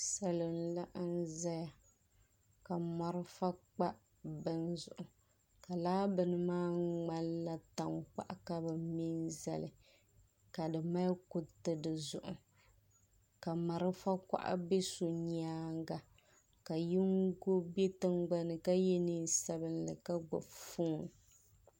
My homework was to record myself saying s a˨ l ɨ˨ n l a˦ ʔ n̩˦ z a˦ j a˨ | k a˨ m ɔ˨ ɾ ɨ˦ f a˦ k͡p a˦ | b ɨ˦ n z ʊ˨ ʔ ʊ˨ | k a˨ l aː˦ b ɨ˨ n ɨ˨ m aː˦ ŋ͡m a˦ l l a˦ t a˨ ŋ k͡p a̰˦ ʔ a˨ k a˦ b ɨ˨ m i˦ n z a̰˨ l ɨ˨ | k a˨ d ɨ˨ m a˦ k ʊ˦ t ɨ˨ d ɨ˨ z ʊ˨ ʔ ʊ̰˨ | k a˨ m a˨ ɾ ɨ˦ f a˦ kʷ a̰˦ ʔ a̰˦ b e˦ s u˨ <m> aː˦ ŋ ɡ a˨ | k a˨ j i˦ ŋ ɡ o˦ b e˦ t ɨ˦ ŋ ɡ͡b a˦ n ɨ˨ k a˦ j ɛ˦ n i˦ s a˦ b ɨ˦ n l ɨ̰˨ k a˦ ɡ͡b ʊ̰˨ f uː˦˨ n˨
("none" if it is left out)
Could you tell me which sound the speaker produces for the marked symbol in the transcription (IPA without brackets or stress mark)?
ɲ